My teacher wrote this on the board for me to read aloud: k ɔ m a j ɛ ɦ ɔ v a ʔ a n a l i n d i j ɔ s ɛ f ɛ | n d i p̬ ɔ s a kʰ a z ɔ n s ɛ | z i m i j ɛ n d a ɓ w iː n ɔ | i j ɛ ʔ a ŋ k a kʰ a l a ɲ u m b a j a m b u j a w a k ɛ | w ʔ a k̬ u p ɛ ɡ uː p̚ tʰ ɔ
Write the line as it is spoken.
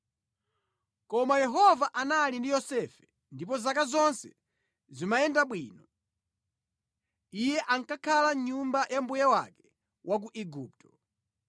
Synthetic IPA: k ɔ m a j ɛ ɦ ɔ v a ʔ a n a l i n d i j ɔ s ɛ f ɛ | n d i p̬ ɔ z a k a z ɔ n s ɛ | z i m a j ɛ n d a ɓ w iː n ɔ | i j ɛ ʔ a ŋ k a kʰ a l a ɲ u m b a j a m b u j a w a k ɛ | w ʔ a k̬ u ʔ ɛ ɡ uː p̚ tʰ ɔ